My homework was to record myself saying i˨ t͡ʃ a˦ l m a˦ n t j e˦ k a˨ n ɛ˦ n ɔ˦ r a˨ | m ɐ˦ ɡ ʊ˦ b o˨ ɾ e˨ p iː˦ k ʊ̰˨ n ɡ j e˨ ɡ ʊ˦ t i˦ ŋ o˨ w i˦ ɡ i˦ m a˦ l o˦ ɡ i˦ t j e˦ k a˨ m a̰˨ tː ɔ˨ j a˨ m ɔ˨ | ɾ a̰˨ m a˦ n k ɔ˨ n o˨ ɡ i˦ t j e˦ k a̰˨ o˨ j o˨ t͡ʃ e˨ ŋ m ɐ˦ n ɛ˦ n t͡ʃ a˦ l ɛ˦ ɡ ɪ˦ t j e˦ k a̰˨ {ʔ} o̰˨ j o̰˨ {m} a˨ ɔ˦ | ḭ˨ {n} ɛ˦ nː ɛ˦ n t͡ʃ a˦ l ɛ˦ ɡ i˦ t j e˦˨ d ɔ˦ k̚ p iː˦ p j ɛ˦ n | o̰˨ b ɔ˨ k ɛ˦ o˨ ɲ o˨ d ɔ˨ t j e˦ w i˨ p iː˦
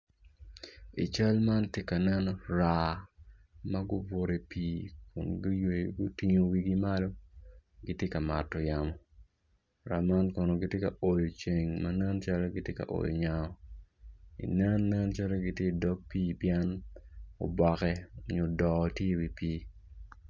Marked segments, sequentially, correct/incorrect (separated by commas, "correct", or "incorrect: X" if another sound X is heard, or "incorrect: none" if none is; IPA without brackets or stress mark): correct, incorrect: ɲ, correct